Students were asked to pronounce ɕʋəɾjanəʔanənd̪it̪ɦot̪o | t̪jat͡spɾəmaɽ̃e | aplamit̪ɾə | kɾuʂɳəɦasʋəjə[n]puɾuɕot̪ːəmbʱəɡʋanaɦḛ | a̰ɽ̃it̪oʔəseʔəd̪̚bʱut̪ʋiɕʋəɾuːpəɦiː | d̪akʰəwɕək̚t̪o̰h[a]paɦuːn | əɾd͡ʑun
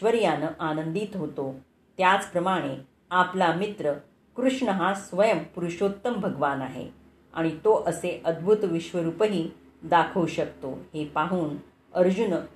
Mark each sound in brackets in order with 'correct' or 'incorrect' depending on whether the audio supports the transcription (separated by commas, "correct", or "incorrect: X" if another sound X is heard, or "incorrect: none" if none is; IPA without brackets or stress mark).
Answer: incorrect: m, incorrect: e